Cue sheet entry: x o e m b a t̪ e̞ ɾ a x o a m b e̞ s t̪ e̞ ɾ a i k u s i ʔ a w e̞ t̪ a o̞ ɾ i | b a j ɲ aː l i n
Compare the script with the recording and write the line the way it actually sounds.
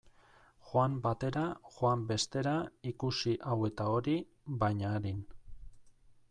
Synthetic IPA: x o a m b a t̪ e̞ ɾ a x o a m b e̞ s t̪ e̞ ɾ a i k u s i ʔ a w e̞ t̪ a o̞ ɾ i | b a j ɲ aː ɾ i n